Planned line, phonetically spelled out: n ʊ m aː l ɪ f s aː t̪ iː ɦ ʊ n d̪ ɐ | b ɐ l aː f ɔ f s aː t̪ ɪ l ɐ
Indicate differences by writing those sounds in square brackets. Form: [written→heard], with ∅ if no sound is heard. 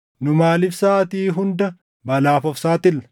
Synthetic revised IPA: n ʊ m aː l ɪ f s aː t̪ iː ɦ ʊ n d̪ ɐ | b ɐ l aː f ɔ f s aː t̪ ɪ l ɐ

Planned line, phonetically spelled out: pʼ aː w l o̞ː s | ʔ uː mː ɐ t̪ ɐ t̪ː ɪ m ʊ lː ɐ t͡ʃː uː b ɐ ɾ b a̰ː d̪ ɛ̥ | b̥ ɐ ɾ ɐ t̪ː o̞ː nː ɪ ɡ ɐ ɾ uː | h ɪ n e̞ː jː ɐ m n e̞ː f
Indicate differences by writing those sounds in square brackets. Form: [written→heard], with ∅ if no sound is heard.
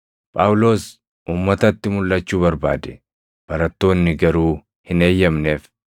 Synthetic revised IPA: pʼ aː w l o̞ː s | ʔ uː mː ɐ t̪ ɐ t̪ː ɪ m ʊ lː ɐ t͡ʃː uː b ɐ ɾ b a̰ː d̪ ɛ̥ | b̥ ɐ ɾ ɐ t̪ː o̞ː nː ɪ ɡ ɐ ɾ uː | h ɪ n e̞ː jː ɐ m n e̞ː f

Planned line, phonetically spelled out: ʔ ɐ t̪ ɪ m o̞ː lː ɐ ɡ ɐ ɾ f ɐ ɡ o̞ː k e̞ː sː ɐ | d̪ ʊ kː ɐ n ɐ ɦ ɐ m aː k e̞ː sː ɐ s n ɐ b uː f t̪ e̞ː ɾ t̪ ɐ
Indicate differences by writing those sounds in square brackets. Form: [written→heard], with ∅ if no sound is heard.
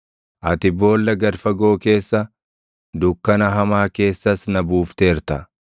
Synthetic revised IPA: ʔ ɐ t̪ ɪ [m→b] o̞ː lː ɐ ɡ ɐ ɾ f ɐ ɡ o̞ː k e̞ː sː ɐ | d̪ ʊ kː ɐ n ɐ ɦ ɐ m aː k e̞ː sː ɐ s n ɐ b uː f t̪ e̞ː ɾ t̪ ɐ

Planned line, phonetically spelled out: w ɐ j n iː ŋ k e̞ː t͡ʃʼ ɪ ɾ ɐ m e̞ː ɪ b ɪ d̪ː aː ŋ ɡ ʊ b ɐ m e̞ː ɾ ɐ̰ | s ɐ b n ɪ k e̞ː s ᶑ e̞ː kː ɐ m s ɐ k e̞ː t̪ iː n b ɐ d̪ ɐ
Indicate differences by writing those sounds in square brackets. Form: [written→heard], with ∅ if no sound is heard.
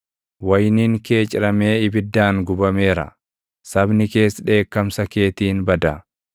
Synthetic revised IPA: w ɐ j n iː ŋ k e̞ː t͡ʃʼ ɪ ɾ ɐ m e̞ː ɪ b ɪ d̪ː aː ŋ ɡ ʊ b ɐ m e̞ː ɾ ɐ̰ | s ɐ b n ɪ k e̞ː s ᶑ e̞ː kː ɐ m s ɐ k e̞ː t̪ iː n b ɐ d̪ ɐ

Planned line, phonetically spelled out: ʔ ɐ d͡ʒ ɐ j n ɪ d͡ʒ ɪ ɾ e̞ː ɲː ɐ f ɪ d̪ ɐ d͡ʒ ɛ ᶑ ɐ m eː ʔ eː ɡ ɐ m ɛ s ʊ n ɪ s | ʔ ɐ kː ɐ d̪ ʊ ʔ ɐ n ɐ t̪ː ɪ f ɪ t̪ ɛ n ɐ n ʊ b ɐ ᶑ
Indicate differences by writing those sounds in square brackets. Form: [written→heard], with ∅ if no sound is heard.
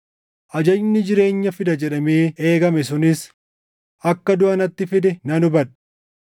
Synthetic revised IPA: ʔ ɐ d͡ʒ ɐ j n ɪ d͡ʒ ɪ ɾ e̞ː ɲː ɐ f ɪ d̪ ɐ d͡ʒ ɛ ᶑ ɐ m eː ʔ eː ɡ ɐ m ɛ s ʊ n ɪ s | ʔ ɐ kː ɐ d̪ ʊ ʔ ɐ n ɐ t̪ː ɪ f ɪ [t̪→d̪] ɛ n ɐ n ʊ b ɐ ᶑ

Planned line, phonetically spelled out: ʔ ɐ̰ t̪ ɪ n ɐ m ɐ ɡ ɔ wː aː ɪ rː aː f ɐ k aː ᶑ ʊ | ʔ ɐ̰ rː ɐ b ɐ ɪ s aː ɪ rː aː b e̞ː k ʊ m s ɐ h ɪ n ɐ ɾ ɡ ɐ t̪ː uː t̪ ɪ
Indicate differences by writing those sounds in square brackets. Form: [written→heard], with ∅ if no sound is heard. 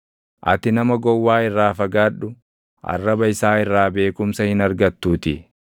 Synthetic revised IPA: ʔ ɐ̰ t̪ ɪ n ɐ m ɐ ɡ ɔ wː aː ɪ rː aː f ɐ [k→ɡ] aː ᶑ ʊ | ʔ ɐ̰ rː ɐ b ɐ ɪ s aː ɪ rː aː b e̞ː k ʊ m s ɐ h ɪ n ɐ ɾ ɡ ɐ t̪ː uː t̪ ɪ

